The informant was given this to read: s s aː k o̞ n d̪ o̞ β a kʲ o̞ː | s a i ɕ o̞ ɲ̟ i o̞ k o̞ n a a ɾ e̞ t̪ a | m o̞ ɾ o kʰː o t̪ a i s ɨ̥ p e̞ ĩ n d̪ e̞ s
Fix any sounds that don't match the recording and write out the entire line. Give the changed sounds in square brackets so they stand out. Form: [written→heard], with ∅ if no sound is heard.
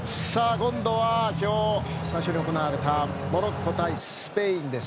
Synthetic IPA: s s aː k [o̞→õ̞] n d̪ o̞ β a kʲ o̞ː | s a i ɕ o̞ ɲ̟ i o̞ k o̞ n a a ɾ e̞ t̪ a | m o̞ ɾ o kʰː o t̪ a i s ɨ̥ p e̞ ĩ n d̪ e̞ s